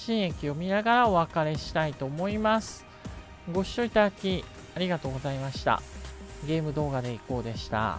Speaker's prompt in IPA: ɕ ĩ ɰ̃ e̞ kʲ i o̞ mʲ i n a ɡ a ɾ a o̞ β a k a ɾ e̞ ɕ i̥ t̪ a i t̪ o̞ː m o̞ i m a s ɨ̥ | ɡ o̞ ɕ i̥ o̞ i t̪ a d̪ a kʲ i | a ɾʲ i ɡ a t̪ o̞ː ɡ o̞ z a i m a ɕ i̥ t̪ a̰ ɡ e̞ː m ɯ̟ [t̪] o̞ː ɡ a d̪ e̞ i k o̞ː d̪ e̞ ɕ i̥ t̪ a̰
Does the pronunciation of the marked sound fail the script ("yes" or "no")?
yes